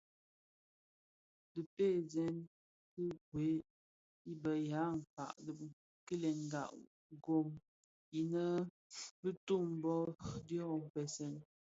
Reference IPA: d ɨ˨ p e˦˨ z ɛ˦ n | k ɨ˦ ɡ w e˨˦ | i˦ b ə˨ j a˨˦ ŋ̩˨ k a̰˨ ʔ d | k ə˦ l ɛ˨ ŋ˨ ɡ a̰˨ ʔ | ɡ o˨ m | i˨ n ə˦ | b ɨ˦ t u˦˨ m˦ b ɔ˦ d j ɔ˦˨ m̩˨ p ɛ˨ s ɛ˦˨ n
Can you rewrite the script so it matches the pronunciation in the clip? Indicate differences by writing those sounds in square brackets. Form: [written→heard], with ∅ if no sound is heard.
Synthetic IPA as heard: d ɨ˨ p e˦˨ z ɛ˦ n | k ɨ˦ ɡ w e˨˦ | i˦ b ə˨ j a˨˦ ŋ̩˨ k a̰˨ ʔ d | k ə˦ l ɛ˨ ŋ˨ ɡ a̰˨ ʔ | ɡ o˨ m | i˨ n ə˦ | b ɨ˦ t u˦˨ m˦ b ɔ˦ d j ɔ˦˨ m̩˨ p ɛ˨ s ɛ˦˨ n